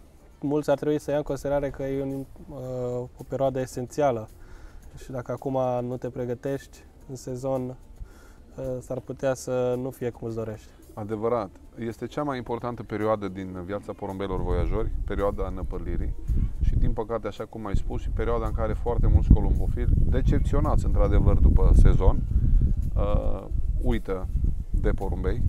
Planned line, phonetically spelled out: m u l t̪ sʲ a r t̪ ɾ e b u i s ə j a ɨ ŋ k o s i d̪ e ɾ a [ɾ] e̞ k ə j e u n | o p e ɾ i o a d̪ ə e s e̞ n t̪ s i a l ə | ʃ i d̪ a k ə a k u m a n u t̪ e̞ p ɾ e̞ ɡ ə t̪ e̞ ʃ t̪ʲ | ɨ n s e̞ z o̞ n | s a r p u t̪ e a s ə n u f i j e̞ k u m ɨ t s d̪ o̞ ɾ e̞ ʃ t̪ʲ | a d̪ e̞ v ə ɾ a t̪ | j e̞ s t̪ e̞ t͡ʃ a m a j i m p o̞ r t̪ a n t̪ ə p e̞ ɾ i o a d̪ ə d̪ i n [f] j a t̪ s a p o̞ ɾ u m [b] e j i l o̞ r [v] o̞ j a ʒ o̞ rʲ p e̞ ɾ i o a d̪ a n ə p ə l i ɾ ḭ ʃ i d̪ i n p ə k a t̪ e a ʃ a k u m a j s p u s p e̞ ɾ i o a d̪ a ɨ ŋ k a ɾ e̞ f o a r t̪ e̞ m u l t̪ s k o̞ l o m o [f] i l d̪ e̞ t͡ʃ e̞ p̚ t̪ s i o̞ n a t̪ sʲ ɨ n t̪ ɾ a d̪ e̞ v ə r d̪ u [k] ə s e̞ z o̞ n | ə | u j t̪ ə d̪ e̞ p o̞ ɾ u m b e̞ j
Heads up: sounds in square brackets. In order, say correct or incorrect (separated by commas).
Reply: correct, incorrect, correct, correct, correct, incorrect